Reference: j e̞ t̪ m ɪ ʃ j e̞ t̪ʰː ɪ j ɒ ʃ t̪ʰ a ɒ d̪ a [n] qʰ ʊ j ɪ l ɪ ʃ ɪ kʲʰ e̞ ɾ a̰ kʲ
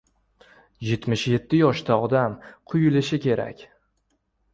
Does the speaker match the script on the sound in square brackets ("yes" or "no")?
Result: no